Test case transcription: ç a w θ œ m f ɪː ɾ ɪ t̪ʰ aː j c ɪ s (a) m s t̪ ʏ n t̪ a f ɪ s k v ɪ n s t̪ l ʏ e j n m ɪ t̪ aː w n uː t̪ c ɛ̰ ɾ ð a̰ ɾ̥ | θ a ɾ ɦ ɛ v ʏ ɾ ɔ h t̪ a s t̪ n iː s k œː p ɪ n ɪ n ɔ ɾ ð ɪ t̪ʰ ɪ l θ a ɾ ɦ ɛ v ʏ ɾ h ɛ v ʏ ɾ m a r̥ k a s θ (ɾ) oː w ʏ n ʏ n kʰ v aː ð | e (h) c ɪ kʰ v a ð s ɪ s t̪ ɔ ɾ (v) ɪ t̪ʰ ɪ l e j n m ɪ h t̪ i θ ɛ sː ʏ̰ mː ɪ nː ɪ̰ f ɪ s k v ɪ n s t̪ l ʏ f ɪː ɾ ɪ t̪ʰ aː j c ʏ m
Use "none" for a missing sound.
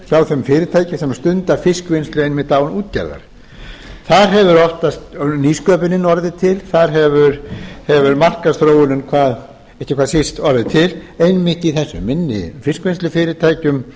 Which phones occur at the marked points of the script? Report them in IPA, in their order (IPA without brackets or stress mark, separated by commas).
ɛ, ɾ, h, ð